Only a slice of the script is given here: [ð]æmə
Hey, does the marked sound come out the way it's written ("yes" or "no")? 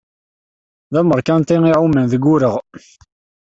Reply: yes